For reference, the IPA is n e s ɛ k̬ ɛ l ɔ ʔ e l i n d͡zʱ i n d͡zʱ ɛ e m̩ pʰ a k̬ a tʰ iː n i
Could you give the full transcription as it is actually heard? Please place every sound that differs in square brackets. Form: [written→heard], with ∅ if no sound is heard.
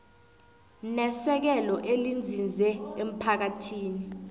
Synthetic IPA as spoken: n [e→ɛ] s ɛ k̬ ɛ l ɔ ʔ e l i n d͡zʱ i n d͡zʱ ɛ e m̩ pʰ a k̬ a tʰ iː n i